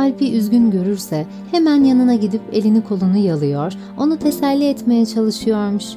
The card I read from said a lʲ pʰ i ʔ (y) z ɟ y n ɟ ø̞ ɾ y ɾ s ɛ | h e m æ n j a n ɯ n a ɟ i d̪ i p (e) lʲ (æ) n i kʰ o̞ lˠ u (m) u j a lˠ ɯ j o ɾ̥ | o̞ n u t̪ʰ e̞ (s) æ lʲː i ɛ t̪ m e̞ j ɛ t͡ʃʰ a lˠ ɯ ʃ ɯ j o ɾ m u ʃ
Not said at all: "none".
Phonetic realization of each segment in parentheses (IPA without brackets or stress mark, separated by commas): y, e, i, n, s